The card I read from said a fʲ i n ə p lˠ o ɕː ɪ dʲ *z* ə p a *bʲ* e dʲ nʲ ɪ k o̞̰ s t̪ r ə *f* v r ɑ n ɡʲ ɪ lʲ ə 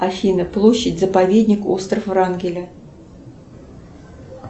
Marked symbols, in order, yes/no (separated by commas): yes, no, yes